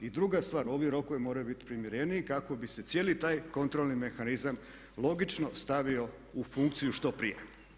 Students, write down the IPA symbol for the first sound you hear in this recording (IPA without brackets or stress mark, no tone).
i